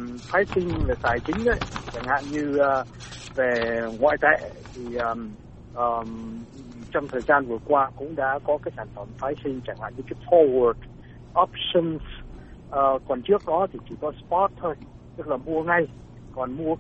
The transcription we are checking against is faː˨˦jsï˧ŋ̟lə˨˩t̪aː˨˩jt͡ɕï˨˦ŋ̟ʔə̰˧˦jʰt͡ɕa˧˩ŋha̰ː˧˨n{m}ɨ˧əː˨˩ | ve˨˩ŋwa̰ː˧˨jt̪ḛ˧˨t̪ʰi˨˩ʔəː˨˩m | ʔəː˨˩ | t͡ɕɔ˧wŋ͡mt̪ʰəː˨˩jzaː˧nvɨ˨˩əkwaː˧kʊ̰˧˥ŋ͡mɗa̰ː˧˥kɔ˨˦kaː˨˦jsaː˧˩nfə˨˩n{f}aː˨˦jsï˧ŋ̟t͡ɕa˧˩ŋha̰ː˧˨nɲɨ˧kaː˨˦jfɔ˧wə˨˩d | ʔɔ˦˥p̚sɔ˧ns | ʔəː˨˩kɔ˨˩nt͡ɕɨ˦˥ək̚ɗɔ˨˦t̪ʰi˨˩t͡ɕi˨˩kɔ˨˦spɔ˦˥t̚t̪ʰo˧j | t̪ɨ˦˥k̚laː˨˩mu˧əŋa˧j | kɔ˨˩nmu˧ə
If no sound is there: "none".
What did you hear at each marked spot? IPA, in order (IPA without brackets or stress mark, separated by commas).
ɲ, f